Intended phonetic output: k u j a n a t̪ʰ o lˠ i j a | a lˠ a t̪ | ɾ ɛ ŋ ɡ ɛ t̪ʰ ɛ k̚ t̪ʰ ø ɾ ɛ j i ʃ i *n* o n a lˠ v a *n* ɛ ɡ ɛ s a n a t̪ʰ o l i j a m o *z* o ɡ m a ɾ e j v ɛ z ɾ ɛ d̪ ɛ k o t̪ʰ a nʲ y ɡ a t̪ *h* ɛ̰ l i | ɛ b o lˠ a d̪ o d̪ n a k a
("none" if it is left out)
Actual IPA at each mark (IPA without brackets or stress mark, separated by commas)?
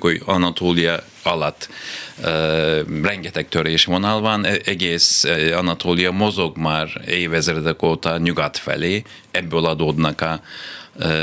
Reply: m, n, z, f